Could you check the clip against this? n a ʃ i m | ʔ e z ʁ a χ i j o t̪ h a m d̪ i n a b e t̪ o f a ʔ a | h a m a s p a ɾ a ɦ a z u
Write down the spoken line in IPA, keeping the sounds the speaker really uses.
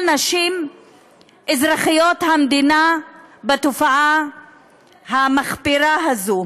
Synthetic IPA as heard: n a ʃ i m | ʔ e z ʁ a χ i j o t̪ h a m d̪ i n a b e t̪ o f a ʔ a | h a m a χ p i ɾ a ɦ a z u